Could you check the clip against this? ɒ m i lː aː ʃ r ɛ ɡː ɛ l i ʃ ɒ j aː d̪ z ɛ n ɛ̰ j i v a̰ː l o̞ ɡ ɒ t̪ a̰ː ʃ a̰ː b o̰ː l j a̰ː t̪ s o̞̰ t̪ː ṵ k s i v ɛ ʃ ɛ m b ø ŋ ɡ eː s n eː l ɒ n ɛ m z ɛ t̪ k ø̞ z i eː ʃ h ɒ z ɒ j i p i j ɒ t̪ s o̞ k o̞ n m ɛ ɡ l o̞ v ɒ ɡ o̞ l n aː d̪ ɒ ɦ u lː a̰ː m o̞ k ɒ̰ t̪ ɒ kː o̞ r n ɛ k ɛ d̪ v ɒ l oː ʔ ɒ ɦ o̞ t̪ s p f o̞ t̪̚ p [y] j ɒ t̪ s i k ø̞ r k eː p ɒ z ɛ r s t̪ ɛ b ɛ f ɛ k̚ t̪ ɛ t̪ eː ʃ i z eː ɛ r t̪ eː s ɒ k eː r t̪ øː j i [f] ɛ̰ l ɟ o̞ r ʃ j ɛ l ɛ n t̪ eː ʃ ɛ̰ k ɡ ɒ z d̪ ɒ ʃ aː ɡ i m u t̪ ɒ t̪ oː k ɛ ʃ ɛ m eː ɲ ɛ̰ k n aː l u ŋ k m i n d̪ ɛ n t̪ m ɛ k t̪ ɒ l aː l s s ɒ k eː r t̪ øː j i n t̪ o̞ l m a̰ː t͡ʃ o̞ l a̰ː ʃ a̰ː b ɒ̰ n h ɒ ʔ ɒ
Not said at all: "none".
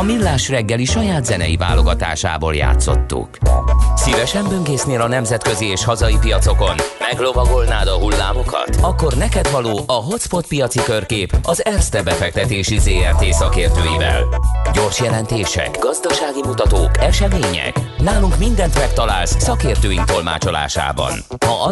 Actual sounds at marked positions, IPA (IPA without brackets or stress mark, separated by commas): i, v